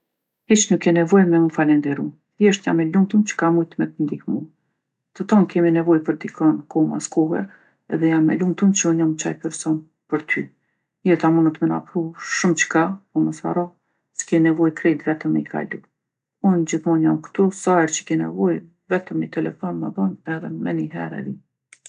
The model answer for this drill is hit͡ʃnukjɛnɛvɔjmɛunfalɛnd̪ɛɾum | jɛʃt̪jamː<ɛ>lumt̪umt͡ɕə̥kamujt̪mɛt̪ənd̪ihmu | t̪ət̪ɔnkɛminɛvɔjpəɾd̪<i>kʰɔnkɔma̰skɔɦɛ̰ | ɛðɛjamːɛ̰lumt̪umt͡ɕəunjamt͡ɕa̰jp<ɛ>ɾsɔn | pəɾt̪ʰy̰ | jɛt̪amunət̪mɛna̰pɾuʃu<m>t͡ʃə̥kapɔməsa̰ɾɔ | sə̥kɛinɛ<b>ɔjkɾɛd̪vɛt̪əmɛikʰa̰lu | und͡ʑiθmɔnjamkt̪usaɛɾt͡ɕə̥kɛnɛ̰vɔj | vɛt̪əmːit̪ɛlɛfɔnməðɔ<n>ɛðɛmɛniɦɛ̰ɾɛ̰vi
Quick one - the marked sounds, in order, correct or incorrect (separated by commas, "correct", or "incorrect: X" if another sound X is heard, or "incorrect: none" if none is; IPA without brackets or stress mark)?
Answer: correct, correct, correct, correct, incorrect: v, correct